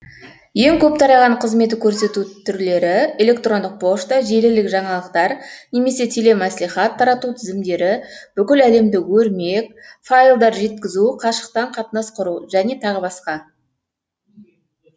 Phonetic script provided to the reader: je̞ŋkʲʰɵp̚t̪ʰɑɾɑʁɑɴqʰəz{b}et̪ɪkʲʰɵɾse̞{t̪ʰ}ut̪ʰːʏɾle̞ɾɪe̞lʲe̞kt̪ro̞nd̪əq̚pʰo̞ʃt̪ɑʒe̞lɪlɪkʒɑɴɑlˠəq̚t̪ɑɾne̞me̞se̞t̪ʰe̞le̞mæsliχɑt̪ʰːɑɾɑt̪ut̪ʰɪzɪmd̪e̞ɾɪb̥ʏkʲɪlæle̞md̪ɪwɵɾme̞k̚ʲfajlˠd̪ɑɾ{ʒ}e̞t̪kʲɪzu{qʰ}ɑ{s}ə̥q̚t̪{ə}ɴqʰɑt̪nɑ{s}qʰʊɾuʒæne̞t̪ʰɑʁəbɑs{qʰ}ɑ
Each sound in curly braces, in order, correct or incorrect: incorrect: m, incorrect: t̪, correct, correct, incorrect: ʃ, incorrect: ɑ, correct, incorrect: q

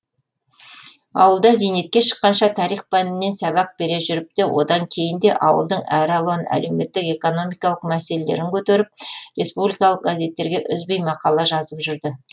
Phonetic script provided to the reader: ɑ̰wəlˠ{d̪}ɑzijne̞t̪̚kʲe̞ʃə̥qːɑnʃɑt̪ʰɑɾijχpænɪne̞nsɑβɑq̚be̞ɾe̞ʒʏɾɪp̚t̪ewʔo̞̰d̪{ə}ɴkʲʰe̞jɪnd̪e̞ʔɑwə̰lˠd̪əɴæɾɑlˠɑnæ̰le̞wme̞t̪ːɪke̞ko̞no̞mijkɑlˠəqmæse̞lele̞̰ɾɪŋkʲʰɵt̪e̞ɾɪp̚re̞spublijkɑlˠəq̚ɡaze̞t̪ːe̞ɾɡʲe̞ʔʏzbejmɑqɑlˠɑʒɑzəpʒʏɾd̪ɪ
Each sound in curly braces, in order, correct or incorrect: correct, incorrect: ɑ

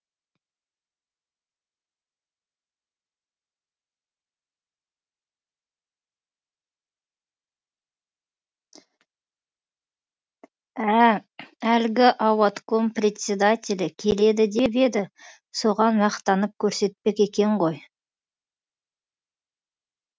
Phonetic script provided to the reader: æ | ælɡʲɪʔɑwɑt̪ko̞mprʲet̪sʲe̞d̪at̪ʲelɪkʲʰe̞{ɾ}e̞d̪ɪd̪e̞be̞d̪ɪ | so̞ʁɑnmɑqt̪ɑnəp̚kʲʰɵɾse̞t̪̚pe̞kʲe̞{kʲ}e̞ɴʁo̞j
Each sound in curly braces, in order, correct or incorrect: incorrect: l, correct

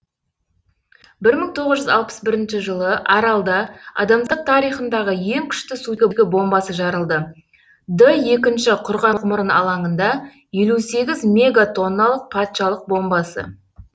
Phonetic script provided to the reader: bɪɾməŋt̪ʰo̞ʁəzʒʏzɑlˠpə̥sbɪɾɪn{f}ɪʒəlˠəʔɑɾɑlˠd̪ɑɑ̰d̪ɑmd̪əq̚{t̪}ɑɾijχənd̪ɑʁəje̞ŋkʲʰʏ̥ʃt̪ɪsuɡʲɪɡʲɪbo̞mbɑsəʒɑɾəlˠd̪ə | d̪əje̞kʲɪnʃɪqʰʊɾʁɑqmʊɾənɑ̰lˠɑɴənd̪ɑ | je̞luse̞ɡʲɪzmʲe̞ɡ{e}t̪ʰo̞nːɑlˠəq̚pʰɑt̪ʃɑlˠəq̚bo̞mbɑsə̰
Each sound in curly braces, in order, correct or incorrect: incorrect: ʃ, incorrect: t̪ʰ, incorrect: a

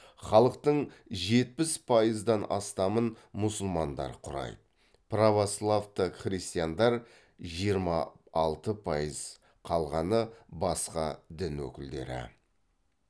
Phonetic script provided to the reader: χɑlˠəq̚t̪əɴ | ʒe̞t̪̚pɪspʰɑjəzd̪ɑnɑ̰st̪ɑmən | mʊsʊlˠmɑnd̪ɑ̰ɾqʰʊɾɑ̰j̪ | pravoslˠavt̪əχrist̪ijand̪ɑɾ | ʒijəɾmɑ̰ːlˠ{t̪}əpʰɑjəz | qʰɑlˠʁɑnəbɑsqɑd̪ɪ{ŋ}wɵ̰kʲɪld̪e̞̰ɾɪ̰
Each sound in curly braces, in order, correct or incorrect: correct, incorrect: n

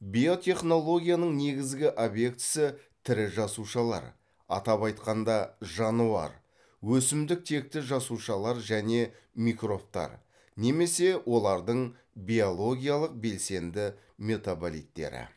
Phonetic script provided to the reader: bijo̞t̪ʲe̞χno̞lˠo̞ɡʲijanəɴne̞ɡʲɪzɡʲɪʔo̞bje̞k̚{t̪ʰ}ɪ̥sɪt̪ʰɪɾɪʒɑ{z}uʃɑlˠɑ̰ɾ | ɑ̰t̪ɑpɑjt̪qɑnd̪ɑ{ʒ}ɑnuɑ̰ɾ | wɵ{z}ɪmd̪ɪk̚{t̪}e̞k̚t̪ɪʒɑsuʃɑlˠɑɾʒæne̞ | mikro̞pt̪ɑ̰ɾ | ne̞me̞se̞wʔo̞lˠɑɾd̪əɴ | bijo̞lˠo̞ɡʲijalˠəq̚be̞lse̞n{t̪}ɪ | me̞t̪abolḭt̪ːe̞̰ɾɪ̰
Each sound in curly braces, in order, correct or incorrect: incorrect: t̪, incorrect: s, correct, incorrect: s, incorrect: t̪ʰ, incorrect: d̪

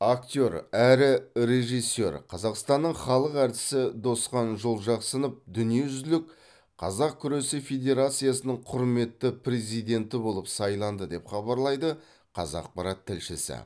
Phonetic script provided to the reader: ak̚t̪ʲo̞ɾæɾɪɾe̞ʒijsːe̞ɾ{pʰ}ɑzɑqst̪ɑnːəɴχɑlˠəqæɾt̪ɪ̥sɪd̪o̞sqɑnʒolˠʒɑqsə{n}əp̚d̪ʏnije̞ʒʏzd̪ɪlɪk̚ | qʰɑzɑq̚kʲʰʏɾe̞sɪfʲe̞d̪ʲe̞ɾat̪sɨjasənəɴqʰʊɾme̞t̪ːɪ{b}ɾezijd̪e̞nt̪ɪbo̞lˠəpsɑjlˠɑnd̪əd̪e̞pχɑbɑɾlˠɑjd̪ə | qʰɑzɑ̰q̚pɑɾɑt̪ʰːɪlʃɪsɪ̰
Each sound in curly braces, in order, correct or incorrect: incorrect: qʰ, correct, incorrect: p

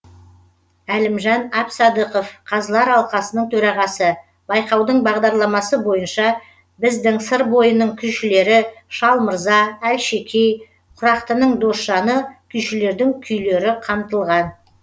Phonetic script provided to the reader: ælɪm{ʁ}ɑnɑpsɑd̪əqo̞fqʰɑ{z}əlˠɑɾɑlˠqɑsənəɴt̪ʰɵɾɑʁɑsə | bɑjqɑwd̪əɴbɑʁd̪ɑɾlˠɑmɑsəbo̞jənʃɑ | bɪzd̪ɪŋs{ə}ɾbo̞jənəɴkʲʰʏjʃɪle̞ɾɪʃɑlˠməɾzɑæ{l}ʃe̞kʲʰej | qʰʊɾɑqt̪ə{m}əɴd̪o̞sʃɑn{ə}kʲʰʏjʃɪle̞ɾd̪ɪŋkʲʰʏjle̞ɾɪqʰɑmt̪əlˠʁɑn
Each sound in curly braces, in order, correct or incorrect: incorrect: ʒ, correct, correct, correct, incorrect: n, correct

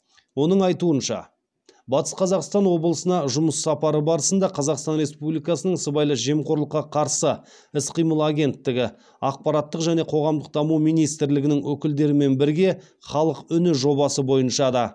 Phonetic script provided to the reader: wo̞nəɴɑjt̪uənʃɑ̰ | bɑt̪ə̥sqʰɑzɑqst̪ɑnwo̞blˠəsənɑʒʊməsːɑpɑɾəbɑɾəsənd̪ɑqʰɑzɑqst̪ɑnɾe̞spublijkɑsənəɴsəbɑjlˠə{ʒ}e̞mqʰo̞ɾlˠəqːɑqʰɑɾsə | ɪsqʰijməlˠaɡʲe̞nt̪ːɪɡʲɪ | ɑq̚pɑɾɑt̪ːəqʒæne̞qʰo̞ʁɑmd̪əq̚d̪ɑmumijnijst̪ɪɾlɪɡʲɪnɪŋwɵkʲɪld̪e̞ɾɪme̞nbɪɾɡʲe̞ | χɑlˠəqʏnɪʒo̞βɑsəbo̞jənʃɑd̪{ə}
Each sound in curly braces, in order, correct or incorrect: correct, incorrect: ɑ

